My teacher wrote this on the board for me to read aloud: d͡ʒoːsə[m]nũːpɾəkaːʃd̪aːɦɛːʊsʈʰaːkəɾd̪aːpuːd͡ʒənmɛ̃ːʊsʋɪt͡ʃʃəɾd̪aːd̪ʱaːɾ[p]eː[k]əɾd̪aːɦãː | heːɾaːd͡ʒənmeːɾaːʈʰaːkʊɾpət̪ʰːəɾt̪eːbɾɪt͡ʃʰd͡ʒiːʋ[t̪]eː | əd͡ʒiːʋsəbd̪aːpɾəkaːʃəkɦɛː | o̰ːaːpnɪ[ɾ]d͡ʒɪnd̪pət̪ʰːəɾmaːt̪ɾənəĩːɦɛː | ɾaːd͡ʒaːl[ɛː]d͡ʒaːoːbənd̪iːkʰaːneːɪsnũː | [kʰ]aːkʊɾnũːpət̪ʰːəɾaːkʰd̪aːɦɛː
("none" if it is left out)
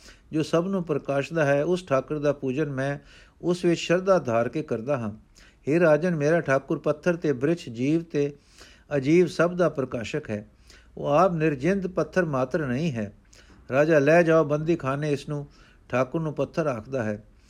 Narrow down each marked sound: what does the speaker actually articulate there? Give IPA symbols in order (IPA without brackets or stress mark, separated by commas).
b, k, k, t̪, ɾ, ɛː, ʈʰ